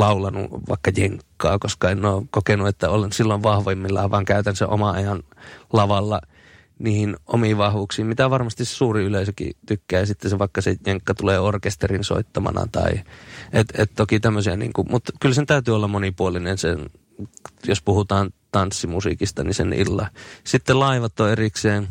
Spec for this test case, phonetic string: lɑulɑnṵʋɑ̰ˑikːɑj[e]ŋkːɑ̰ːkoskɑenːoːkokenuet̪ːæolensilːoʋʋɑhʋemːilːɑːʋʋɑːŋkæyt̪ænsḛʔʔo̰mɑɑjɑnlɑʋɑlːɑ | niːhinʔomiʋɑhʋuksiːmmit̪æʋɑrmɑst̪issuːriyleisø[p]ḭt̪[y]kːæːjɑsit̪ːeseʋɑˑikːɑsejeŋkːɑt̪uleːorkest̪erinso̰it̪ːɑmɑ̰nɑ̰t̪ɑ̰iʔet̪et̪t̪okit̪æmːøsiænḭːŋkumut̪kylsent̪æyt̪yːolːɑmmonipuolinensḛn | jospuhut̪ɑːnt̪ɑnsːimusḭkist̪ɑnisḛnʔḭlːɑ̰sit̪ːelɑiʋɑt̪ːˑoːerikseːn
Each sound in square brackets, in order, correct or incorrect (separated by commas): correct, incorrect, correct